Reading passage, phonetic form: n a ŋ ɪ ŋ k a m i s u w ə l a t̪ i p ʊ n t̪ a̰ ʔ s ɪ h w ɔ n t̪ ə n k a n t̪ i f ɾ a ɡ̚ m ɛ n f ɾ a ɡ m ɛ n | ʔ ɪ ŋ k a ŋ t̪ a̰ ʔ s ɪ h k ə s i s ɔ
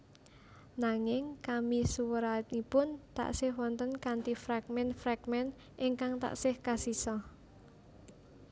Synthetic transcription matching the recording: n a ŋ ɪ ŋ k a m i s u w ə ɾ a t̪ i p ʊ n t̪ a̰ ʔ s ɪ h w ɔ n t̪ ə n k a n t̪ i f ɾ a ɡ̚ m ɛ n f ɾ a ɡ m ɛ n | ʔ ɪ ŋ k a ŋ t̪ a̰ ʔ s ɪ h k a s i s ɔ

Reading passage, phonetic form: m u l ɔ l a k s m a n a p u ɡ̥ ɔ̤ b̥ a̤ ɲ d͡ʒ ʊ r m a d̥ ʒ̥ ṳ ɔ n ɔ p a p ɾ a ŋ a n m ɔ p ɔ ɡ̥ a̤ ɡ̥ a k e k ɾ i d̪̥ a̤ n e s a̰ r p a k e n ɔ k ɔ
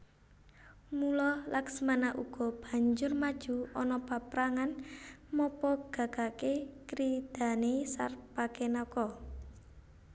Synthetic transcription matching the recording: m u l ɔ l a k s m a n a ʔ u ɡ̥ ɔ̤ b̥ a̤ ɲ d͡ʒ ʊ r m a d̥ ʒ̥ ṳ ɔ n ɔ p a p ɾ a ŋ a n m ɔ p ɔ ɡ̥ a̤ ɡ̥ a k e k ɾ i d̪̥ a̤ n e s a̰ r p a k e n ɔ k ɔ

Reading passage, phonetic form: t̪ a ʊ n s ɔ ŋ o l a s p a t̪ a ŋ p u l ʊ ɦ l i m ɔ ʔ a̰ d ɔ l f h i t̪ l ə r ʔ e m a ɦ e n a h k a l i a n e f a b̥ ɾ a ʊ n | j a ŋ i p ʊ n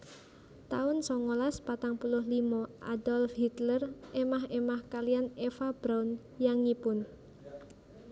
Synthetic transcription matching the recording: t̪ a ʊ n s ɔ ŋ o l a s p a t̪ a ŋ p u l ʊ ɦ l i m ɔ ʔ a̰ d ɔ l f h i t̪ l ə r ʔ e m a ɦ e m a h k a l i a n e f a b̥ ɾ a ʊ n | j a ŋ i p ʊ n

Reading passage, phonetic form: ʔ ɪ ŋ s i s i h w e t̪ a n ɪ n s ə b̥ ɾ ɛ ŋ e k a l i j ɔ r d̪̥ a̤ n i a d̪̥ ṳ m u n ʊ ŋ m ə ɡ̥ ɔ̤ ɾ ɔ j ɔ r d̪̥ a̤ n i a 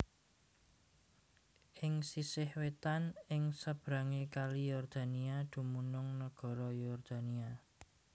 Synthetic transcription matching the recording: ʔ ɪ ŋ s i s ɪ h w e t̪ a n ɪ ŋ s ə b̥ ɾ a ŋ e k a l i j ɔ r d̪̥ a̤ n i a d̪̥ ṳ m u n ʊ ŋ n ə ɡ̥ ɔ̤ ɾ ɔ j ɔ r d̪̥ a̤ n i a

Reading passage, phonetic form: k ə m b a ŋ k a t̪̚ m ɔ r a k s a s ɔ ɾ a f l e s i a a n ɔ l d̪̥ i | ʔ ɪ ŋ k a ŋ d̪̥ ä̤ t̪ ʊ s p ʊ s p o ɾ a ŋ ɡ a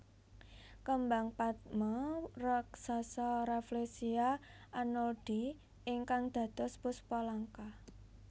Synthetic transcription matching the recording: k ə m b a ŋ p a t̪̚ m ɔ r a k s a s ɔ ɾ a f l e s i a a n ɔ l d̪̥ i | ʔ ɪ ŋ k a ŋ d̪̥ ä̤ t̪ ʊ s p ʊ s p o l a ŋ k a

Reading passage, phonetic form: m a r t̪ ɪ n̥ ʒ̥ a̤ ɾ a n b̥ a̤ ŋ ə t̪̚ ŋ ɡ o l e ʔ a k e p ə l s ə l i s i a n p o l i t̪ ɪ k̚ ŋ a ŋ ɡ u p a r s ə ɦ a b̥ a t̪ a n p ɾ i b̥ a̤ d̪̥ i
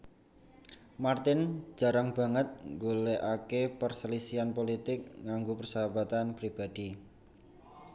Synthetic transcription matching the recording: m a r t̪ ɪ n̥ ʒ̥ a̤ ɾ a ŋ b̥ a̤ ŋ ə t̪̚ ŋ ɡ o l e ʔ a k e p ə r s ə l i s i a n p o l i t̪ ɪ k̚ ŋ a ŋ ɡ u p ə r s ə ɦ a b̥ a t̪ a n p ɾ i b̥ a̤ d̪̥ i

